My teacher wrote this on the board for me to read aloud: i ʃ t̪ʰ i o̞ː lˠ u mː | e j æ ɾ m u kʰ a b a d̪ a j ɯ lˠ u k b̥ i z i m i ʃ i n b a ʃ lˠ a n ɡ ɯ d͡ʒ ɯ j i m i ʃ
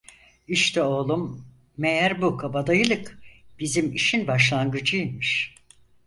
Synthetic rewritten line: i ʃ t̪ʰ ɛ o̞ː lˠ u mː | e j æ ɾ b u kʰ a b a d̪ a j ɯ lˠ ɯ k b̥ i z i m i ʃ i n b a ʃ lˠ a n ɡ ɯ d͡ʒ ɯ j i m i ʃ